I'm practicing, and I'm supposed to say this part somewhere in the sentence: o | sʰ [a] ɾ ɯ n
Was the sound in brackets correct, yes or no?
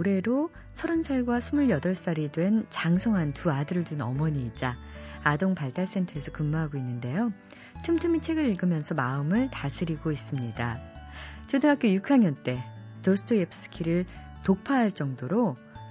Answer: no